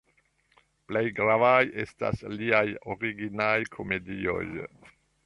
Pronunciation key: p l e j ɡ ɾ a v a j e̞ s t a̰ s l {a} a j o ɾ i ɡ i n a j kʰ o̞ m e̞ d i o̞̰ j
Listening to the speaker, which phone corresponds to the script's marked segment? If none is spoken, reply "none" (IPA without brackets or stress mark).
i